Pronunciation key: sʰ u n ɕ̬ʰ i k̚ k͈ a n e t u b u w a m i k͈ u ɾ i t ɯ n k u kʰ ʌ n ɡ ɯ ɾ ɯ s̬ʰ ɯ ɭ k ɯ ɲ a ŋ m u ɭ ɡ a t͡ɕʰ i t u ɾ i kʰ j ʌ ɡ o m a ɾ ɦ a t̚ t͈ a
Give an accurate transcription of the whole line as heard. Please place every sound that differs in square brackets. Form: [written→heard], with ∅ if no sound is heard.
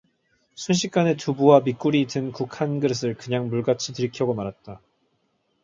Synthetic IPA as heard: sʰ u n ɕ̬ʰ i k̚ k͈ a n e t u b u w a m i k͈ u ɾ i t ɯ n k u kʰ [ʌ→a] n ɡ ɯ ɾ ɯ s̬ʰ ɯ ɭ k ɯ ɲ a ŋ m u ɭ ɡ a t͡ɕʰ i t [u→ɯ] ɾ i kʰ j ʌ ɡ o m a ɾ ɦ a t̚ t͈ a